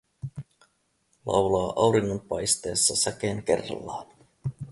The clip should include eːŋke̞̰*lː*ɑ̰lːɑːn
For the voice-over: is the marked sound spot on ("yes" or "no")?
no